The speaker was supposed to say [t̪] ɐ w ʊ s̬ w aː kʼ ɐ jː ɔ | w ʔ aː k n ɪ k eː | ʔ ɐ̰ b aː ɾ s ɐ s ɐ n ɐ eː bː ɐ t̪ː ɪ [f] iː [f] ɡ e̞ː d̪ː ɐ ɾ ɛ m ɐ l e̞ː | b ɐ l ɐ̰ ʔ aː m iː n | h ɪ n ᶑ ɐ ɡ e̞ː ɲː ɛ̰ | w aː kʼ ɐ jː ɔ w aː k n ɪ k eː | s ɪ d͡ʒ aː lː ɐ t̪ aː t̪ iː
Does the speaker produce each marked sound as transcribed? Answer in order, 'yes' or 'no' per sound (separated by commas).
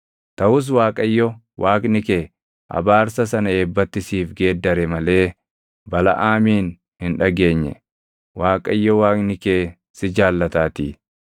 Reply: yes, no, yes